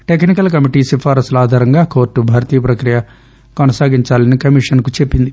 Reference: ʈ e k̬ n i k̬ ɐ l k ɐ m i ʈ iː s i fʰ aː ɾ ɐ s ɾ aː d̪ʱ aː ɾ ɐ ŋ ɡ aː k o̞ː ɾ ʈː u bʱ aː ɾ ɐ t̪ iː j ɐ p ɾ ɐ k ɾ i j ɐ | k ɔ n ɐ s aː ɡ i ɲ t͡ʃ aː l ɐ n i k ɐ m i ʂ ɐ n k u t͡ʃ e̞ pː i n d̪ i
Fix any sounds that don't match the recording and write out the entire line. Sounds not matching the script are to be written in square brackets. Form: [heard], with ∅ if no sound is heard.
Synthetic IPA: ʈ e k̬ n i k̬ ɐ l k ɐ m i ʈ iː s i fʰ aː ɾ ɐ s [l] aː d̪ʱ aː ɾ ɐ ŋ ɡ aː k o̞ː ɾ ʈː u bʱ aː ɾ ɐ t̪ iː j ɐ p ɾ ɐ k ɾ i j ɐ | k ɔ n ɐ s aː ɡ i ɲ t͡ʃ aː l ɐ n i k ɐ m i ʂ ɐ n k u t͡ʃ e̞ pː i n d̪ i